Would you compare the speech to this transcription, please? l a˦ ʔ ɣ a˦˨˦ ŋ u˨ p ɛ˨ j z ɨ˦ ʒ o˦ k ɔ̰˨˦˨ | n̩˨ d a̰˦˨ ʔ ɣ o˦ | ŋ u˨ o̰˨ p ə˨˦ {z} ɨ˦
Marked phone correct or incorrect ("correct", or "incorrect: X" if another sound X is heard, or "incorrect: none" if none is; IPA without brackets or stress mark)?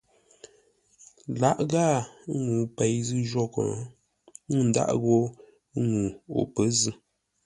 correct